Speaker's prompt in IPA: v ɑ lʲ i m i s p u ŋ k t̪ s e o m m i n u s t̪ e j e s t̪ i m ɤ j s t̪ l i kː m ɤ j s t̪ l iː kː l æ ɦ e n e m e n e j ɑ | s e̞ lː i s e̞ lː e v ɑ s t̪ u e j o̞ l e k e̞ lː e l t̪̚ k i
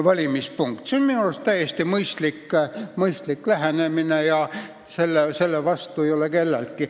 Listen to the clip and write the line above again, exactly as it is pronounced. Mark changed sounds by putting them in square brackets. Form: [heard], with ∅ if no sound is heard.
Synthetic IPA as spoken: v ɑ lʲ i m i s p u ŋ k t̪ s e o [n] m i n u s t̪ [æ] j e s t̪ i m ɤ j s t̪ l i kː m ɤ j s t̪ l [i] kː l æ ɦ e n e m [i] n e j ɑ | s e̞ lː [e] s e̞ lː e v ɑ s t̪ u e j o̞ l e k e̞ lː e l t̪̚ k i